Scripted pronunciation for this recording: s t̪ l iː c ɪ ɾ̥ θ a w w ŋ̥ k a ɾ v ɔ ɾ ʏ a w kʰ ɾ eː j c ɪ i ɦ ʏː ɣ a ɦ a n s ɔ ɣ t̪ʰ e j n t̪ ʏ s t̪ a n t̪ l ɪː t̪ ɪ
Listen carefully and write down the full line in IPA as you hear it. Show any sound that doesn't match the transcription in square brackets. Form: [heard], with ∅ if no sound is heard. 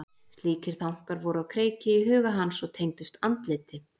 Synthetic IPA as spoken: s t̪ l iː c ɪ ɾ̥ θ a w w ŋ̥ k a ɾ v ɔ ɾ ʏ a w kʰ ɾ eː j c ɪ i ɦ ʏː ɣ a ɦ a n s ɔ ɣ t̪ʰ e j [ŋ] t̪ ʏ s t̪ a n t̪ l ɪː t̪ ɪ